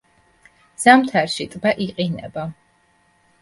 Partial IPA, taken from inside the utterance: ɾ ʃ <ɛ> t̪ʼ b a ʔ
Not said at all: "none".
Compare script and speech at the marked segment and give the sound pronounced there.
i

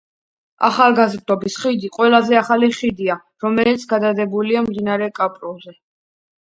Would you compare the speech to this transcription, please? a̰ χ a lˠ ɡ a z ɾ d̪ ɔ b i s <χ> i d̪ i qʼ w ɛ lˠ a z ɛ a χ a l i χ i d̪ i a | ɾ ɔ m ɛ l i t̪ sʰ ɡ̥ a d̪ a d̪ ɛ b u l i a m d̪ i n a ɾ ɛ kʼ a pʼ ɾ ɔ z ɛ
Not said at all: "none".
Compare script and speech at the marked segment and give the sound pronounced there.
χ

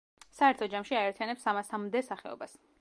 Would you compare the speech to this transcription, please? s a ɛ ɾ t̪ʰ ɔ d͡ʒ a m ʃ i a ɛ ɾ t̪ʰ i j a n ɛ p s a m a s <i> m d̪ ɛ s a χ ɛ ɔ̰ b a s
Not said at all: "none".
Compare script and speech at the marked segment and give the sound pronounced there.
a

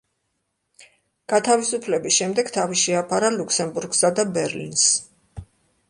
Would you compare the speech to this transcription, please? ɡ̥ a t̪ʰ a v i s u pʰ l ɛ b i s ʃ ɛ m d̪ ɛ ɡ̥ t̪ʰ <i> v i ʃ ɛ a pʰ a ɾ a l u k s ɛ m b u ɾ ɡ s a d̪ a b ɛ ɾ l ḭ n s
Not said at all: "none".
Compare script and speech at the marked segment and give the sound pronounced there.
a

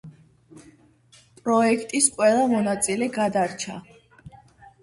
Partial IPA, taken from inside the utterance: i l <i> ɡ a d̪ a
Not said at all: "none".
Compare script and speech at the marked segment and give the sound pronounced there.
ɛ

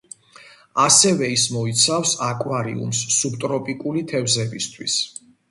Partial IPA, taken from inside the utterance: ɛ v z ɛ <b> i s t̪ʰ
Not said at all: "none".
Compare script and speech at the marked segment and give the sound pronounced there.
b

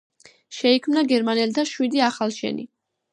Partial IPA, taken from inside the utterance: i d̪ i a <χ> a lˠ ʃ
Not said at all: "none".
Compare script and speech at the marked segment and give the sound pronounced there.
χ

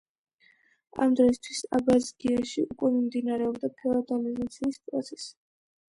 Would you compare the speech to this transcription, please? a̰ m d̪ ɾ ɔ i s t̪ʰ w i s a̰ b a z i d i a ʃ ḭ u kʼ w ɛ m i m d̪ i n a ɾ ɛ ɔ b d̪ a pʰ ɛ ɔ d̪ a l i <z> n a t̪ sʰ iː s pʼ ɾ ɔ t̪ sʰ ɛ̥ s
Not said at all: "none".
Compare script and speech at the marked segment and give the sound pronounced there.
z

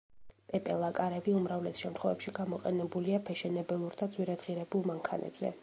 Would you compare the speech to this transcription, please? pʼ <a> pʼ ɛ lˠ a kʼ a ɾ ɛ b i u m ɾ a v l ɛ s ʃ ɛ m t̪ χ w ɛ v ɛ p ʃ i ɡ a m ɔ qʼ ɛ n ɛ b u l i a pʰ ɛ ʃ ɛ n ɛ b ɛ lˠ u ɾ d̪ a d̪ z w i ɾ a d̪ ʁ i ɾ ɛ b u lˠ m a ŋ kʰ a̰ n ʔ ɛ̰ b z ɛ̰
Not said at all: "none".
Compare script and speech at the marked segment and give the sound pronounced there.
ɛ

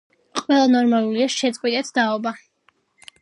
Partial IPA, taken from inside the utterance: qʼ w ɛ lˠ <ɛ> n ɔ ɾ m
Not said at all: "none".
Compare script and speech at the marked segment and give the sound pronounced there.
a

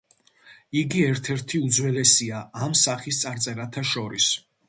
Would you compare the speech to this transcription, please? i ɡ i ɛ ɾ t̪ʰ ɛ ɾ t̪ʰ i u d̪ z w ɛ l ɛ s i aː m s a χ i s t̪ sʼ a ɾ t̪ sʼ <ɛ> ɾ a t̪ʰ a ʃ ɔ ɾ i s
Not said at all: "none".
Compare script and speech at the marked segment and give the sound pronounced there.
ɛ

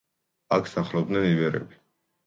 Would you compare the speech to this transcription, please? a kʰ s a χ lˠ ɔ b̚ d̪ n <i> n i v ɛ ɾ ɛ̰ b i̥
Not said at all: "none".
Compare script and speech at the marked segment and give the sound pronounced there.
ɛ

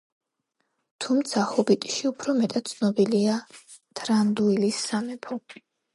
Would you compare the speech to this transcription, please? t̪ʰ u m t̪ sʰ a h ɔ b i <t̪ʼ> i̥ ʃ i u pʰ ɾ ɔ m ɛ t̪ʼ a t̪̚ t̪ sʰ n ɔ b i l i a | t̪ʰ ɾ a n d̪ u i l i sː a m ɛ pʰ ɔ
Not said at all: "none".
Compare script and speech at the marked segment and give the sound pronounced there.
t̪ʼ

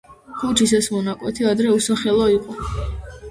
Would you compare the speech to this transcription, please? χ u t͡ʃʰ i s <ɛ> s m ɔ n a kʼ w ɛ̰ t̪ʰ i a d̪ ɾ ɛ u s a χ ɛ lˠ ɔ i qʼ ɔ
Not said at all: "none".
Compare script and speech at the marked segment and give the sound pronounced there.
ɛ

